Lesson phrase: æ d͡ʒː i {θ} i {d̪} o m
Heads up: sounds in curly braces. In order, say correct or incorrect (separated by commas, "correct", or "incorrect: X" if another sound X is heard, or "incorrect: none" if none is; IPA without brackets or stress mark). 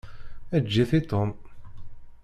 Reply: correct, incorrect: t̪